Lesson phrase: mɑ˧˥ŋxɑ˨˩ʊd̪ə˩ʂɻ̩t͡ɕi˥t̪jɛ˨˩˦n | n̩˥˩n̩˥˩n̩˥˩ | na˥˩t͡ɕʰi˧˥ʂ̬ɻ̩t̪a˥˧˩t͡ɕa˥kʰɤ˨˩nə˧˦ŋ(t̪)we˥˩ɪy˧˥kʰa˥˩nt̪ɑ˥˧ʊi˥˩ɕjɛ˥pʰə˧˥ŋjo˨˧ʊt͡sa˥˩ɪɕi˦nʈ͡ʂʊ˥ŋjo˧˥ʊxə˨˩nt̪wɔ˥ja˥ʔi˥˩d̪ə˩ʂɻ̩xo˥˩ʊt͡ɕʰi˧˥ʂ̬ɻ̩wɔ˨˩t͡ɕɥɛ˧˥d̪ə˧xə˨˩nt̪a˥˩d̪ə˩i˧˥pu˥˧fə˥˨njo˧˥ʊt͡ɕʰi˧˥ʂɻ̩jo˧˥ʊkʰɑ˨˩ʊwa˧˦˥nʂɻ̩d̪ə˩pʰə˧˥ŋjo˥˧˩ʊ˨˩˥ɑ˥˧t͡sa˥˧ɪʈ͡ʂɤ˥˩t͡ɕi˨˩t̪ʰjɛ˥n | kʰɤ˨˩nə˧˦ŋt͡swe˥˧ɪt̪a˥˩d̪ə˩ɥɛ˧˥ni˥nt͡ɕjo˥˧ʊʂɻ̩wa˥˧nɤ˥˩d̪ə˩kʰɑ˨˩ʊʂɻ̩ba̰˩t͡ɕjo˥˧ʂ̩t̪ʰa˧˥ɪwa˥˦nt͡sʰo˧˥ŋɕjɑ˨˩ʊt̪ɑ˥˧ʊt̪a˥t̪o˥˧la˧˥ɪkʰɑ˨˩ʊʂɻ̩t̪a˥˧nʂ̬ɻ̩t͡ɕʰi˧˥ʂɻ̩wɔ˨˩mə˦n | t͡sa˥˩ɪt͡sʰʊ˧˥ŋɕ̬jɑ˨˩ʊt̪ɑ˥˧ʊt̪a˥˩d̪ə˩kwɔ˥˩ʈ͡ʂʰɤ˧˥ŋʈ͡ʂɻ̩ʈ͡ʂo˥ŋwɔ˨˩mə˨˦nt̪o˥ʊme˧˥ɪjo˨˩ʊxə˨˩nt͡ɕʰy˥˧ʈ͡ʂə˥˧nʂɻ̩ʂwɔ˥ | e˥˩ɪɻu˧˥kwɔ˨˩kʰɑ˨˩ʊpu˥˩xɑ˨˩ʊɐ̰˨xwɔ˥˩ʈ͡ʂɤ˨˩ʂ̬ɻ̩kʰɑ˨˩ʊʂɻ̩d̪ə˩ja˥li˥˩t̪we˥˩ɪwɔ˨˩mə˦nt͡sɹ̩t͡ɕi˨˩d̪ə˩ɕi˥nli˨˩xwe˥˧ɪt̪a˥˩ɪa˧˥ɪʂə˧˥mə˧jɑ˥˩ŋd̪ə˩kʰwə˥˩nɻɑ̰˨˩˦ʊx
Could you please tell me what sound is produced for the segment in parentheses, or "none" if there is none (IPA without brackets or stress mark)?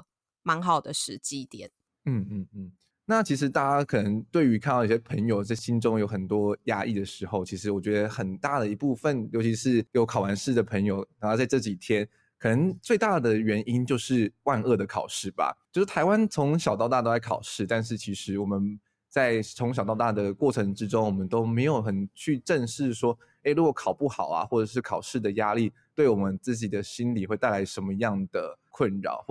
t̪